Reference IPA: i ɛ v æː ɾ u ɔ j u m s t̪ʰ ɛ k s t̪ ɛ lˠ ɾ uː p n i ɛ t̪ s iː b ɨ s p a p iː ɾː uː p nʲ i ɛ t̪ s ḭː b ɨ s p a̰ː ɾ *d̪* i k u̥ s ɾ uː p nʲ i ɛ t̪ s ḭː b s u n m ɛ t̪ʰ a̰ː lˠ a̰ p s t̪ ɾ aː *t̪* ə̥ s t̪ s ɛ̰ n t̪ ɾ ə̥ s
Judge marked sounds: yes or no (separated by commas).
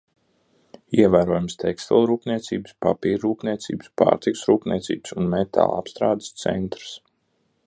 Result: no, no